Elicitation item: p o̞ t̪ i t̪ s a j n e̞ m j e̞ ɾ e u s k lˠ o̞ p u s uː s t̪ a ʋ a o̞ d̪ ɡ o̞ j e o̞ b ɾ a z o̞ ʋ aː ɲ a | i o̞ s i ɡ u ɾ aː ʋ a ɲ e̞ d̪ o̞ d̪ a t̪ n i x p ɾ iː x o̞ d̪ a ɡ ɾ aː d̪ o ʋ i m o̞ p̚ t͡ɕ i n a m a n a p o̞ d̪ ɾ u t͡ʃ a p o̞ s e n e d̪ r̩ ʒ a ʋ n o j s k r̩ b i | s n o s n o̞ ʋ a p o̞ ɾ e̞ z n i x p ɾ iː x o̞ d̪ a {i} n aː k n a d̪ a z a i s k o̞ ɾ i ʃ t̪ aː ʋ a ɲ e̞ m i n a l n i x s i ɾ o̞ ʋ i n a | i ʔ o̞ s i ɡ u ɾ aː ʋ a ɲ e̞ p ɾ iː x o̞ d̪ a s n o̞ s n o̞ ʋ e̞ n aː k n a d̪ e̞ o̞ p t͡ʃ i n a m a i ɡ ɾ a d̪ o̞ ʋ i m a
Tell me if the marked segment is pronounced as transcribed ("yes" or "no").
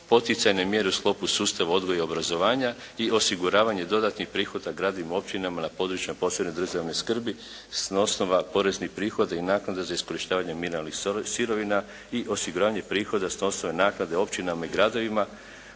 yes